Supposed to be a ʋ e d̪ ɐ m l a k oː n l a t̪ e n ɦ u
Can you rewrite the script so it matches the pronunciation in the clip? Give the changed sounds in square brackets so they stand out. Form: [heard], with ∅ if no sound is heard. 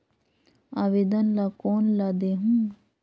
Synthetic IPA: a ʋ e d̪ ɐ [n] l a k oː n l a [d̪] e [∅] ɦ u